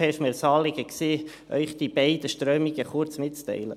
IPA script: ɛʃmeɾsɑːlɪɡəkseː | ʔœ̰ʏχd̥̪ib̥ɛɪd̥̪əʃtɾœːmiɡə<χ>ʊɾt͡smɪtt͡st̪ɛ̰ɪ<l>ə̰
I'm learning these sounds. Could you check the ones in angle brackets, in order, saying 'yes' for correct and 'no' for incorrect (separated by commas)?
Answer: yes, yes